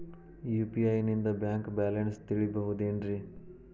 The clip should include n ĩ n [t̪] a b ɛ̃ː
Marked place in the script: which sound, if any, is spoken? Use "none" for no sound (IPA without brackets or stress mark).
d̪